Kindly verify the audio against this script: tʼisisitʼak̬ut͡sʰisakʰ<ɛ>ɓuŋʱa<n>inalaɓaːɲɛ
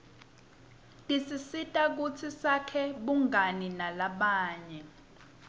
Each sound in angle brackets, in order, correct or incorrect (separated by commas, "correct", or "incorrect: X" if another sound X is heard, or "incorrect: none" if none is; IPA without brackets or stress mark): correct, correct